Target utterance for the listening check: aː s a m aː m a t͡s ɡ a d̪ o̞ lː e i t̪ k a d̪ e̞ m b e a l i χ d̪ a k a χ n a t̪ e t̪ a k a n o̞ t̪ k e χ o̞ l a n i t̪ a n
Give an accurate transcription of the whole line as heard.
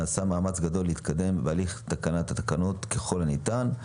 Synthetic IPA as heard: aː s a m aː m a t͡s ɡ a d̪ o̞ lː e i t̪ k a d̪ e̞ m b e a l i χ t̪ a k a n a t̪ a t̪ a k a n o̞ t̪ k e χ o̞ l a n i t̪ a n